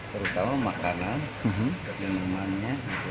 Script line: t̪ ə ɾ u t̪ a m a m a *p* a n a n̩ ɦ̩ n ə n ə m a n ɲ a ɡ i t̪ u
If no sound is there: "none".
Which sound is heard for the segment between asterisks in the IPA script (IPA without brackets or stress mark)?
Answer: k